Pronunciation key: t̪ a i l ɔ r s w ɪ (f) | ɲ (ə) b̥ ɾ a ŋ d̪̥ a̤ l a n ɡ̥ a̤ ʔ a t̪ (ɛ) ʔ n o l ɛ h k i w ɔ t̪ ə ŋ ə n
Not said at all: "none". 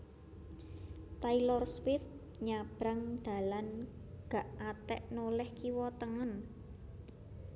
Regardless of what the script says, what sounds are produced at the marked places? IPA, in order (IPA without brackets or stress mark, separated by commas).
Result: f, a, ɛ